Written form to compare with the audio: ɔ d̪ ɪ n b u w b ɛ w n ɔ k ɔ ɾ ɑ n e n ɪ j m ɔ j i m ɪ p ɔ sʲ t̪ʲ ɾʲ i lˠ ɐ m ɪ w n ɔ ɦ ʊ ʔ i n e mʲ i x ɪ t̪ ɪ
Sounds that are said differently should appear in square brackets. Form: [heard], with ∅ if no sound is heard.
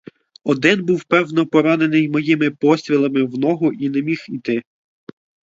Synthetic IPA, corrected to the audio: ɔ d̪ ɪ n b u w [p] ɛ w n ɔ [p] ɔ ɾ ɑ n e n ɪ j m ɔ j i m ɪ p ɔ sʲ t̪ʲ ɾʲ i lˠ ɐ m ɪ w n ɔ ɦ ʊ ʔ i n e mʲ i x [i] t̪ ɪ